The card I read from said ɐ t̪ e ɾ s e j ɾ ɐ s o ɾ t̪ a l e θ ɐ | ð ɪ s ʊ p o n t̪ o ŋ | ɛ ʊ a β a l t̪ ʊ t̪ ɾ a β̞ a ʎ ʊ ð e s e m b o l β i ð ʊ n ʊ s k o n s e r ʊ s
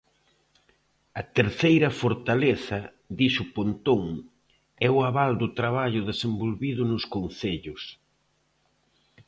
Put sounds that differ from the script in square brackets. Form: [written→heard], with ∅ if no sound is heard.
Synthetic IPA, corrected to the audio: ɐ t̪ e ɾ [s→θ] e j ɾ ɐ [s→f] o ɾ t̪ a l e θ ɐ | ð [ɪ→i] s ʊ p o n t̪ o ŋ | ɛ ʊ a β a l [t̪→d̪] ʊ t̪ ɾ a β̞ a ʎ ʊ ð e s e m b o l β i ð ʊ n ʊ s k o n [s→θ] e [r→ʎ] ʊ s

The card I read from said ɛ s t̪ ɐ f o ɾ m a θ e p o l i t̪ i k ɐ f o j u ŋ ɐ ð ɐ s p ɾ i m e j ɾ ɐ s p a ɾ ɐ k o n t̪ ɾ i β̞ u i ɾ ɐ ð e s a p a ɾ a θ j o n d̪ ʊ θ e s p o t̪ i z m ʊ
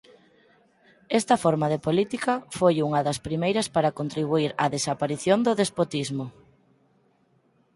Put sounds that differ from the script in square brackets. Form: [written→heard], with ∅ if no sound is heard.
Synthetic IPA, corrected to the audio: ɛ s t̪ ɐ f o ɾ m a [θ→ð] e p o l i t̪ i k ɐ f o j u ŋ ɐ ð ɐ s p ɾ i m e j ɾ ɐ s p a ɾ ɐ k o n t̪ ɾ i β̞ u i ɾ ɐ ð e s a p a ɾ [a→i] θ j o n d̪ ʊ [θ→ð] e s p o t̪ i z m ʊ

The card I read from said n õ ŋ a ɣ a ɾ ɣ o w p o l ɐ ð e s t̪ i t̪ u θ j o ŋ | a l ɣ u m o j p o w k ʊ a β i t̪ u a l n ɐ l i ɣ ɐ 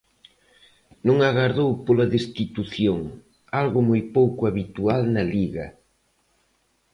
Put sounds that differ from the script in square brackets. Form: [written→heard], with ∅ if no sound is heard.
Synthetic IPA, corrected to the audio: n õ ŋ a ɣ a ɾ [ɣ→ð] o w p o l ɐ ð e s t̪ i t̪ u θ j o ŋ | a l ɣ [u→ʊ] m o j p o w k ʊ a β i t̪ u a l n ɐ l i ɣ ɐ

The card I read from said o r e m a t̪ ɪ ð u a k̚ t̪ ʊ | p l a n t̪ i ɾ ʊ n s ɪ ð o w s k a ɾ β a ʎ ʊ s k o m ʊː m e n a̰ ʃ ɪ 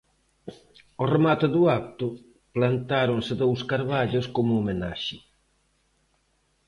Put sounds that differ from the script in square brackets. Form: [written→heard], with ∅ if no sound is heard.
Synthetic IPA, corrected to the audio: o r e m a t̪ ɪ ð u a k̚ t̪ ʊ | p l a n t̪ [i→a] ɾ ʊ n s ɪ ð o w s k a ɾ β a ʎ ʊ s k o m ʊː m e n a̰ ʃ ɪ

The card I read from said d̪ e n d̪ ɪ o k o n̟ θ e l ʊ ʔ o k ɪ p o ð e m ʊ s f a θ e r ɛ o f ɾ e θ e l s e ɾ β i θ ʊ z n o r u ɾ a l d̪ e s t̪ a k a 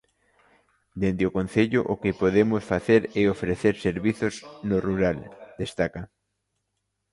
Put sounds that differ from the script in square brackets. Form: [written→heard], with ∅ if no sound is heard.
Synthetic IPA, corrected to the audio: d̪ e n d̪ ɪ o k o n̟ θ e [l→ʎ] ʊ ʔ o k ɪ p o ð e m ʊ s f a θ e [r→ɾ] ɛ o f ɾ e θ e [l→ɾ] s e ɾ β i θ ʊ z n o r u ɾ a l d̪ e s t̪ a k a

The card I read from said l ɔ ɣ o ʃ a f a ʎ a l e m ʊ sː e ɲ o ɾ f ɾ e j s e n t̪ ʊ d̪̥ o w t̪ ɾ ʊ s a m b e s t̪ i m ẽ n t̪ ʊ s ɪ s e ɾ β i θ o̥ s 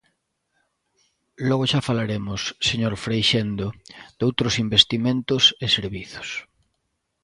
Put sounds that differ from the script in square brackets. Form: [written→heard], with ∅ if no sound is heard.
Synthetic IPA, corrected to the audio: l ɔ ɣ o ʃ a f a [ʎ→l] a [l→ɾ] e m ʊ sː e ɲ o ɾ f ɾ e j [s→ʃ] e n [t̪→d̪] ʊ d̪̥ o w t̪ ɾ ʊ s [a→i] m b e s t̪ i m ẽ n t̪ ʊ s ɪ s e ɾ β i θ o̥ s

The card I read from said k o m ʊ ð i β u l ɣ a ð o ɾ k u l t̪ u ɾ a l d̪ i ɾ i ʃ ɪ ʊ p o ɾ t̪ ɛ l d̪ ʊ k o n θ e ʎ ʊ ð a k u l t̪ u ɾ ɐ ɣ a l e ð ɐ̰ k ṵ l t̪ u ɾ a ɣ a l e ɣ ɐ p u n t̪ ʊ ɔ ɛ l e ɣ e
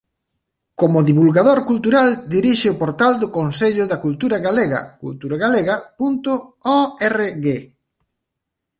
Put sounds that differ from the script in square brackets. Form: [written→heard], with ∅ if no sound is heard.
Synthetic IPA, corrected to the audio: k o m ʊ ð i β u l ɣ a ð o ɾ k u l t̪ u ɾ a l d̪ i ɾ i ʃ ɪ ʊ p o ɾ t̪ [ɛ→a] l d̪ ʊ k o n [θ→s] e ʎ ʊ ð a k u l t̪ u ɾ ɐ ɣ a l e [ð→ɣ] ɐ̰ k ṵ l t̪ u ɾ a ɣ a l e ɣ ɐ p u n t̪ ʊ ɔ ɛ [l→r] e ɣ e

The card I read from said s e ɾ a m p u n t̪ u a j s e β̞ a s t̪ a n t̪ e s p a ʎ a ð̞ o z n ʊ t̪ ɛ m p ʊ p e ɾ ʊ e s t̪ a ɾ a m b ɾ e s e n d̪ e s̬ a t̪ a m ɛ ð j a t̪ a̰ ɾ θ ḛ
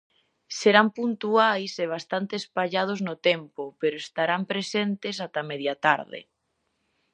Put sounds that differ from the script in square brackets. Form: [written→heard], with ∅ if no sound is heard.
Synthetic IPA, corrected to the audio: s e ɾ a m p u n t̪ u a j s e β̞ a s t̪ a n t̪ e s p a ʎ a ð̞ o z n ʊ t̪ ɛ m p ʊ p e ɾ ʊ e s t̪ a ɾ a m [b→p] ɾ e s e n [d̪→t̪] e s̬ a t̪ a m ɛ ð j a t̪ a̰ ɾ [θ→ð] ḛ

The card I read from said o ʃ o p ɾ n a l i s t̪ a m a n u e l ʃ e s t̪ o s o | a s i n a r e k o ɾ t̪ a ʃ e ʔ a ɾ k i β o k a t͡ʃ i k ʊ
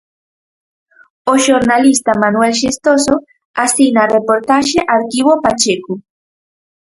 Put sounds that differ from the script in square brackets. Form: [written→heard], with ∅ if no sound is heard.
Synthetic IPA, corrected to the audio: o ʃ o [p→∅] ɾ n a l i s t̪ a m a n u e l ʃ e s t̪ o s o | a s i n a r e [k→p] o ɾ t̪ a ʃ e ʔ a ɾ k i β o [k→p] a t͡ʃ [i→e] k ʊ

